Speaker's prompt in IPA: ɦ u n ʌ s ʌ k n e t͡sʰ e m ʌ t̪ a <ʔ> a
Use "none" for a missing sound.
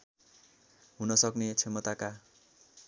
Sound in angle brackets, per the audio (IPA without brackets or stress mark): k